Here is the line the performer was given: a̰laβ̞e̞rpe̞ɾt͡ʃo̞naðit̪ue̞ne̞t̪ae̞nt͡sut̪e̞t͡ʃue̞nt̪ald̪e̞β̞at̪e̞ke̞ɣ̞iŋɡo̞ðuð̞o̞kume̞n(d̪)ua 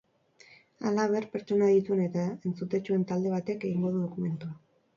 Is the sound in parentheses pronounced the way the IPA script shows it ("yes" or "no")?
no